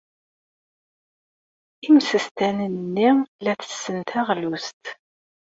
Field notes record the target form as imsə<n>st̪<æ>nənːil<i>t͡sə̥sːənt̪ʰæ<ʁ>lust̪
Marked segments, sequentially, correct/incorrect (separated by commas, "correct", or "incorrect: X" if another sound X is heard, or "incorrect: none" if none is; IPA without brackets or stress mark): incorrect: none, correct, incorrect: æ, correct